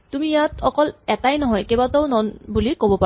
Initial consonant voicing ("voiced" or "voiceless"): voiceless